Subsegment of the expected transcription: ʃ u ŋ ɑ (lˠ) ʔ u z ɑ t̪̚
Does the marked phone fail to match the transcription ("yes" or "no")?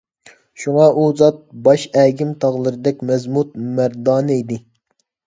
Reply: yes